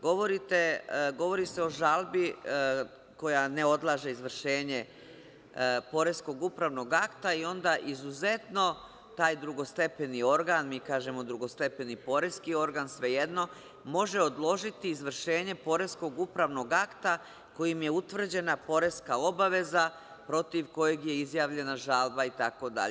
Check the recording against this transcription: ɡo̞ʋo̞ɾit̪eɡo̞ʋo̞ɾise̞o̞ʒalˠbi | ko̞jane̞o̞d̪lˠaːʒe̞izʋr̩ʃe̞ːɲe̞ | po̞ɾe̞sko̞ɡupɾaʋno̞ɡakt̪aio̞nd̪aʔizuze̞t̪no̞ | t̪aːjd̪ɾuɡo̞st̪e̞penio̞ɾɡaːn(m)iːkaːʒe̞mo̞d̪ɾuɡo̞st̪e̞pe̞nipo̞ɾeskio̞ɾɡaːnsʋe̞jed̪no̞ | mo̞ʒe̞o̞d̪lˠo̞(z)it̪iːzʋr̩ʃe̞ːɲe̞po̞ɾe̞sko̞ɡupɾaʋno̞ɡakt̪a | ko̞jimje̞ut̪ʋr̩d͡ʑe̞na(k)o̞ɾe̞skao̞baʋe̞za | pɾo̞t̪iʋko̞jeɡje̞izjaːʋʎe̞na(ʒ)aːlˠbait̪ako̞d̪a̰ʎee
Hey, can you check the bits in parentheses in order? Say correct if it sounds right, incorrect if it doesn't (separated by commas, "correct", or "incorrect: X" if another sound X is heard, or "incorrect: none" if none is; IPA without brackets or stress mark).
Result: correct, incorrect: ʒ, incorrect: p, correct